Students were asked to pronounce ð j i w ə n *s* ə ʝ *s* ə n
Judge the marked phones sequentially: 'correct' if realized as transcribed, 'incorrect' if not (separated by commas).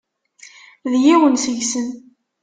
correct, correct